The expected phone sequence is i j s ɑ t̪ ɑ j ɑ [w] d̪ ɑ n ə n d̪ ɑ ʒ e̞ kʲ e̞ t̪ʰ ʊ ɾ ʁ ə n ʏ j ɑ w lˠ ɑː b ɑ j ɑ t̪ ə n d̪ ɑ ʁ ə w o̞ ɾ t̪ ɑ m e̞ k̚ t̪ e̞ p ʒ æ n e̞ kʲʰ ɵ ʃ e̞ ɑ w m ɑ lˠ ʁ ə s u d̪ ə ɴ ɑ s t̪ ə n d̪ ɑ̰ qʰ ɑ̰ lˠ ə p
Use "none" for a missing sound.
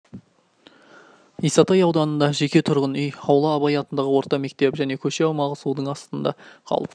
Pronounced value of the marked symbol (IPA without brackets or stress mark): w